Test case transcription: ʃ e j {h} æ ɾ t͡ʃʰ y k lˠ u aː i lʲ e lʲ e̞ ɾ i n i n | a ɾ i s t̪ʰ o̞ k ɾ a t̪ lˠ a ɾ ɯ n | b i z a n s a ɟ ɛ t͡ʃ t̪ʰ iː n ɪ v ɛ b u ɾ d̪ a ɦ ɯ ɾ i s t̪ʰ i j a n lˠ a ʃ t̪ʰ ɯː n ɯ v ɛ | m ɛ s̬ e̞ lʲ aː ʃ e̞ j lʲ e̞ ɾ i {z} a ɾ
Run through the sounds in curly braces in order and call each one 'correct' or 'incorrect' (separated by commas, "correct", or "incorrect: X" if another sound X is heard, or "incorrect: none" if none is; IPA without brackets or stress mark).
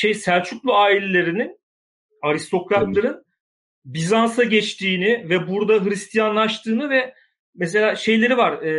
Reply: incorrect: s, incorrect: v